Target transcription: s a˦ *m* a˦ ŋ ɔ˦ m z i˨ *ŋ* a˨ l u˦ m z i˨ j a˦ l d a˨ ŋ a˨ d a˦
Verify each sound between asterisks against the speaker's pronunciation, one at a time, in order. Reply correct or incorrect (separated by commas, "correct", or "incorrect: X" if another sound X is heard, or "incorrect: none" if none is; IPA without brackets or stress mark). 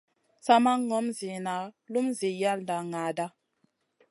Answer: correct, incorrect: n